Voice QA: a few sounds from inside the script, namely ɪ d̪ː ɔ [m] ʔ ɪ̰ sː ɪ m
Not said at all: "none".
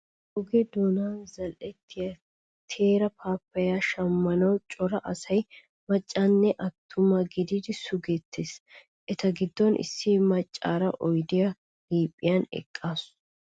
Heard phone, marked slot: n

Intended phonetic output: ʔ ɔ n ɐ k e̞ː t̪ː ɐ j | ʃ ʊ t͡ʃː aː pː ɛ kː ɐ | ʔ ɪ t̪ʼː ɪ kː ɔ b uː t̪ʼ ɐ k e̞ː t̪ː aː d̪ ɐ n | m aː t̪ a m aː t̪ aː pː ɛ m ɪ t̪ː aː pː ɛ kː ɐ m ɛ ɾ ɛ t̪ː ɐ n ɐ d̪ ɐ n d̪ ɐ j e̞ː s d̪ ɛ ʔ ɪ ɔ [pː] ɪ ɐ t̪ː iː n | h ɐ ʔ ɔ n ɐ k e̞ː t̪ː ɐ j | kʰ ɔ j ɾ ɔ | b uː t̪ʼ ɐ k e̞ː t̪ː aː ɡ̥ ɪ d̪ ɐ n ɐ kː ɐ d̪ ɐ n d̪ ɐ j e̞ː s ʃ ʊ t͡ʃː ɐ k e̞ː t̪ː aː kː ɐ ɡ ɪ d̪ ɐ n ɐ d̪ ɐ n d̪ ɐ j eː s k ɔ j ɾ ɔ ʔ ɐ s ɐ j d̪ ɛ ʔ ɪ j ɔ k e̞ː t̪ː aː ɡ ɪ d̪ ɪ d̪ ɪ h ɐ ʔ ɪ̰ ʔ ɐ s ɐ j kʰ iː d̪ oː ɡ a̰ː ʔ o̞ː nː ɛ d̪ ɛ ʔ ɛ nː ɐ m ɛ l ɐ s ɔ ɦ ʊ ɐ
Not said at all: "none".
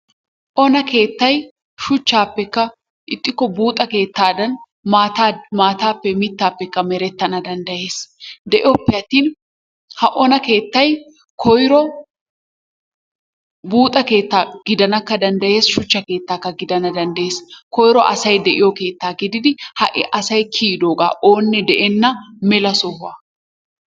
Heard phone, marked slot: pː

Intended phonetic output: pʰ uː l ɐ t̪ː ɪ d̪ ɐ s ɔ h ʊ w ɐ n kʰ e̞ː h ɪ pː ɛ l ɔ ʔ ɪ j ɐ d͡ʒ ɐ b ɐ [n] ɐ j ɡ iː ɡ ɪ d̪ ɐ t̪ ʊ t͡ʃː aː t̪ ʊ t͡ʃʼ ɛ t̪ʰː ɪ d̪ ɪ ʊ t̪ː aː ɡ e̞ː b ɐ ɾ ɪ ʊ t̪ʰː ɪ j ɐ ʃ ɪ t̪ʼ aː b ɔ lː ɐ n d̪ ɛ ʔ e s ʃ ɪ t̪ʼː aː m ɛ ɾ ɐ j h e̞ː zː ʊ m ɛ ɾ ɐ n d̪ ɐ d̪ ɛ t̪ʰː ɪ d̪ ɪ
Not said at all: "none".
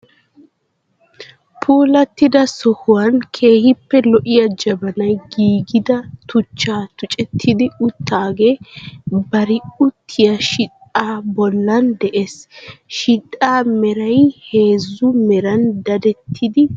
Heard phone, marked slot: n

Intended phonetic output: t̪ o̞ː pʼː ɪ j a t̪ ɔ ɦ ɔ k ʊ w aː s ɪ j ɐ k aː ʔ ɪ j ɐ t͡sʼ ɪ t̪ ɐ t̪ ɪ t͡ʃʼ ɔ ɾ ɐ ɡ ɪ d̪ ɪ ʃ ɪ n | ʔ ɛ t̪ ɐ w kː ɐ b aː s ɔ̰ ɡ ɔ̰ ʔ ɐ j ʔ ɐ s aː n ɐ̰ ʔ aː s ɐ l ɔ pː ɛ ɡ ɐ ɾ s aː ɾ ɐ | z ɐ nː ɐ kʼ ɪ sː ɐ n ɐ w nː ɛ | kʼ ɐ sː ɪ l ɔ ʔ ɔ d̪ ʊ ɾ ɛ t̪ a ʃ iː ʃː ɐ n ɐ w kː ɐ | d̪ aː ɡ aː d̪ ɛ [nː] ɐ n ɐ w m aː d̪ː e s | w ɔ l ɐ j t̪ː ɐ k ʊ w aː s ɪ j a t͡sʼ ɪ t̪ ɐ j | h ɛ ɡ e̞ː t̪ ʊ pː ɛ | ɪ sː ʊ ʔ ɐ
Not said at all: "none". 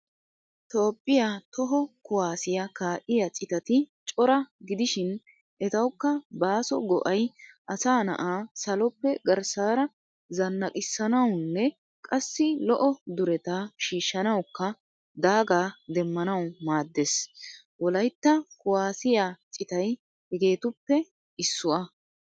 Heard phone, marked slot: mː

